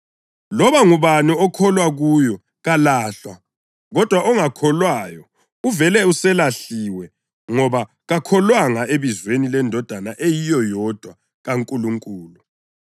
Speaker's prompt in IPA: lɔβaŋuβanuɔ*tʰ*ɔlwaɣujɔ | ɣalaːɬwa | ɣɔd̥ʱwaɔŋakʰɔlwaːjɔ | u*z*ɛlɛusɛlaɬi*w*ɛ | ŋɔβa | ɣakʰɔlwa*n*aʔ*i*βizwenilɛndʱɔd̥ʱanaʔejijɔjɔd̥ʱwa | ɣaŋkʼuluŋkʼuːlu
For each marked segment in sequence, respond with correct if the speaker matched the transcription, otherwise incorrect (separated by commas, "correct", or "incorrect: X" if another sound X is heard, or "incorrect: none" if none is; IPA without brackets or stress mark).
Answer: incorrect: kʰ, incorrect: v, correct, incorrect: ŋ, incorrect: e